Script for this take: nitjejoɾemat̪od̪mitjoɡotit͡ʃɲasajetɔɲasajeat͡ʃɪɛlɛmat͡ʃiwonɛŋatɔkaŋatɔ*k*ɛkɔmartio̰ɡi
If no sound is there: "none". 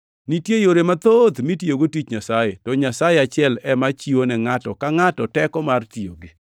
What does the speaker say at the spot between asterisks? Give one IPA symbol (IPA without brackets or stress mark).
t